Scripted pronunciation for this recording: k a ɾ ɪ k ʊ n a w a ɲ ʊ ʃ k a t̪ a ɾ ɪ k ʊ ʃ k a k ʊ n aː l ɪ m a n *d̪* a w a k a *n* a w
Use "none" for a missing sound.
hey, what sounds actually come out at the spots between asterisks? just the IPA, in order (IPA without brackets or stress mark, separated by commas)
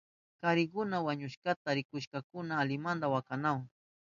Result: d̪, n